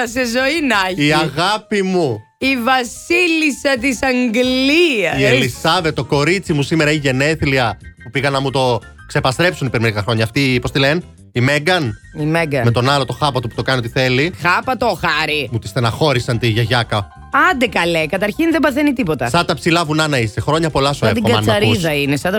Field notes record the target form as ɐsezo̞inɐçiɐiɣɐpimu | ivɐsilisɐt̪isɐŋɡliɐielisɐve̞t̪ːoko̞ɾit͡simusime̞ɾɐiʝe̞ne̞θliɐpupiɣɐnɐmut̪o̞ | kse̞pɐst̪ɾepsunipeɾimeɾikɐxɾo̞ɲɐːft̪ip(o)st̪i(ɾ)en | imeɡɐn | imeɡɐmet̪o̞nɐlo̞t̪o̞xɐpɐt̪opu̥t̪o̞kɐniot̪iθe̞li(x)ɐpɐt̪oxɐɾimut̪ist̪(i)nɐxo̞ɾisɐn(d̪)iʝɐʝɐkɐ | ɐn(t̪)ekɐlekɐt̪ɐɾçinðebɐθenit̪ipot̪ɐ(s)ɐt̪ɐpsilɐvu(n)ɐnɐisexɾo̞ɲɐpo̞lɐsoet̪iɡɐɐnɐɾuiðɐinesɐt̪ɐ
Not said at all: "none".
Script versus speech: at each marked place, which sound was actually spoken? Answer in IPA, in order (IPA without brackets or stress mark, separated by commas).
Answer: o, l, x, e, t̪, d̪, s, n